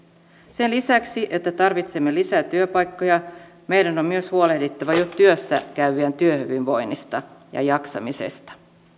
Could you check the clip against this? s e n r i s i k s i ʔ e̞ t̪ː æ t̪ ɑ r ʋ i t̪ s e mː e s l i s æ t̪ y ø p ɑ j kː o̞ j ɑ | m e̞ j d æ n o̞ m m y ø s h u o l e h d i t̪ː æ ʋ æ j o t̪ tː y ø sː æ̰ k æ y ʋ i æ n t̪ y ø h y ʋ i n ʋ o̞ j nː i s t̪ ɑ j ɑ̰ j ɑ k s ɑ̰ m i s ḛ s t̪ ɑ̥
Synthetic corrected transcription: s e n l i s æ k s i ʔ e̞ t̪ː æ t̪ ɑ r ʋ i t̪ s e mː e l i s æ t̪ y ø p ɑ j kː o̞ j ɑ | m e̞ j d æ n o̞ m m y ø s h u o l e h d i t̪ː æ ʋ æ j o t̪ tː y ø sː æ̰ k æ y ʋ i æ n t̪ y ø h y ʋ i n ʋ o̞ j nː i s t̪ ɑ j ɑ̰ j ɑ k s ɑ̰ m i s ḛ s t̪ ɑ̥